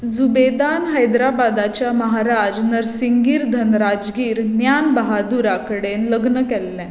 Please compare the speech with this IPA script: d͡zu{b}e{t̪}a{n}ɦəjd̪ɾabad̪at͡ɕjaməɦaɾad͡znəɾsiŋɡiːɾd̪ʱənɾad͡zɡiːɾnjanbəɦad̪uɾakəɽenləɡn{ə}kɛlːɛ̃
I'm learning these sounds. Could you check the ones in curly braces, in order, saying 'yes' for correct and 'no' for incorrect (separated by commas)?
yes, no, yes, yes